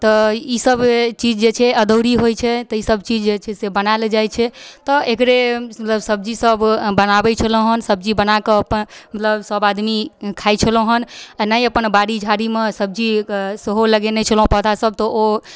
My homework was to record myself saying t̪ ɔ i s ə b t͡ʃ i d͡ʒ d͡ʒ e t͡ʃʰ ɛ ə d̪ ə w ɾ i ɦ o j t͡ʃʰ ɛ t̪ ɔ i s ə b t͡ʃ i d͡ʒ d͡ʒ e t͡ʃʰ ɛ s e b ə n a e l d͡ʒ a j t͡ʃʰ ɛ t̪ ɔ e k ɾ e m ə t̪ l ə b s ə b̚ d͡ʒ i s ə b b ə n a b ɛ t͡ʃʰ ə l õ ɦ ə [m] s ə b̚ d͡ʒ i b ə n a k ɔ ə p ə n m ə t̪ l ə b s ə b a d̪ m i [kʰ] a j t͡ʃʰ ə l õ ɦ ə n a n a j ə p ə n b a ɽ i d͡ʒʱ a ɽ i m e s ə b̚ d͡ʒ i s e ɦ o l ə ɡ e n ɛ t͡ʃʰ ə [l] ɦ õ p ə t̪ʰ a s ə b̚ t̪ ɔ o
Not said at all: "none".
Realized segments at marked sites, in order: n, kʰ, l

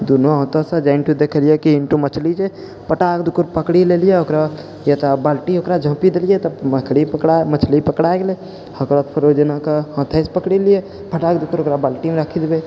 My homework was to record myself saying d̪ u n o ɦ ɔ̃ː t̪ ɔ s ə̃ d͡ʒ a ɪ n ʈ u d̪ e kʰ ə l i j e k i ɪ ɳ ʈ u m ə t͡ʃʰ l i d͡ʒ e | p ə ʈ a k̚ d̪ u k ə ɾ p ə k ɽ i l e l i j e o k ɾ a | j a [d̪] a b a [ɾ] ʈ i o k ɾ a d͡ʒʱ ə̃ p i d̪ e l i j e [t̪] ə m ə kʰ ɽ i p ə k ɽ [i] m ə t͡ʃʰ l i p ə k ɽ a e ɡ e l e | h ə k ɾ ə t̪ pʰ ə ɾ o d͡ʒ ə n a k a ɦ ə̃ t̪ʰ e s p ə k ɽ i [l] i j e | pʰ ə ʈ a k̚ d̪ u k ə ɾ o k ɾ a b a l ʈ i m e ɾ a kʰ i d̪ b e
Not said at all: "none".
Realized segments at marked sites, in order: t̪, l, t̪, a, l

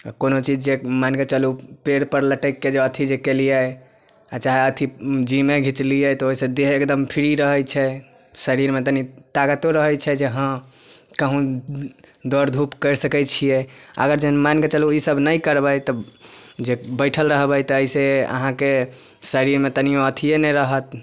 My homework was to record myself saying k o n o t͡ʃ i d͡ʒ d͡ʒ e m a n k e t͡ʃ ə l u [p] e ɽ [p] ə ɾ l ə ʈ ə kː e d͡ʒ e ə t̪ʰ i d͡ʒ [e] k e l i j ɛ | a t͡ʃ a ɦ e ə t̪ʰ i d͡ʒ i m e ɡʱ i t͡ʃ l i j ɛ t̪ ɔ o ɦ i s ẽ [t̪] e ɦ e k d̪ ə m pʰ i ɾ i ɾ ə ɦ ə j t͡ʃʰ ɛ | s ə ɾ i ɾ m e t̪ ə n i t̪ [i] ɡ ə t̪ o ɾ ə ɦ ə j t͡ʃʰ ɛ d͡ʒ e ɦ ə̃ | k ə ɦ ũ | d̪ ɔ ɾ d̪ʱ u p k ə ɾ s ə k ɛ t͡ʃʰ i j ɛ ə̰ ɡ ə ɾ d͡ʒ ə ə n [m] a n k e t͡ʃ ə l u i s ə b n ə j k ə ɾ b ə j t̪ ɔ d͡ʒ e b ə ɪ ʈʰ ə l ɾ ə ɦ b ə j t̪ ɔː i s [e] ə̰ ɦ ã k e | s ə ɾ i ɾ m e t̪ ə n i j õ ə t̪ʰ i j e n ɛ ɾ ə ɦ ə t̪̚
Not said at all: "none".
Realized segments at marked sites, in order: p, p, e, d̪, a, m, e

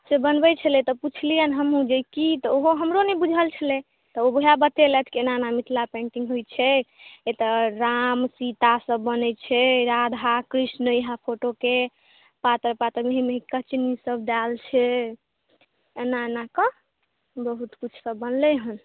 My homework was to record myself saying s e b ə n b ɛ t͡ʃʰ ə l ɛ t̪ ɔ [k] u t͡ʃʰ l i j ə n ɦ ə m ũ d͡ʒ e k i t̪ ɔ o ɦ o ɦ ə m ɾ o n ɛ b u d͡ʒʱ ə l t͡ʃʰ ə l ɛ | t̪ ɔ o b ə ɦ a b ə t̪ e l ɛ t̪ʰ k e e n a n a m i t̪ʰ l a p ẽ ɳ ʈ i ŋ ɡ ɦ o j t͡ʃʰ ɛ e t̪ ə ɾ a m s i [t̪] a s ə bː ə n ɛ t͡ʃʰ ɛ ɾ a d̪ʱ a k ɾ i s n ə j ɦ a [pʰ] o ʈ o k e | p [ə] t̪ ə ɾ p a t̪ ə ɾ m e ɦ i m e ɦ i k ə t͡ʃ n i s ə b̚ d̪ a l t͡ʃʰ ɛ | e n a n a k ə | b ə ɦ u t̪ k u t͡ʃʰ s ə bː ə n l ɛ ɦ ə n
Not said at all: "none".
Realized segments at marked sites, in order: p, t̪, pʰ, a

